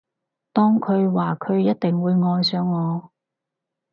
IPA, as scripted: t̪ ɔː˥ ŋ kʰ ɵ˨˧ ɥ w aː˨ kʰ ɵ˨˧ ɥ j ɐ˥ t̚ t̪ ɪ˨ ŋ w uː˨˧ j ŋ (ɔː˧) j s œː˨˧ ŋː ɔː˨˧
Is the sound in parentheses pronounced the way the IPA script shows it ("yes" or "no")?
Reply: yes